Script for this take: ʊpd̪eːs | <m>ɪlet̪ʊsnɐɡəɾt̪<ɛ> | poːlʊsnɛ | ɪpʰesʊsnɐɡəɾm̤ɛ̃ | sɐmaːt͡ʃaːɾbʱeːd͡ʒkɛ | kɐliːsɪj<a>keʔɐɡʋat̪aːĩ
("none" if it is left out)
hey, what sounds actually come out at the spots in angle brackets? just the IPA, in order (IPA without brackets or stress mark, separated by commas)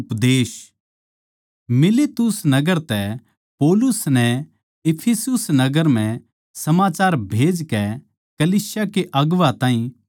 m, ɛ, a